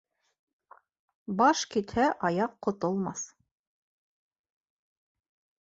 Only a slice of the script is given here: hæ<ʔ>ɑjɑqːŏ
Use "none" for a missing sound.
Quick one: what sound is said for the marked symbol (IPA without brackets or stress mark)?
ʔ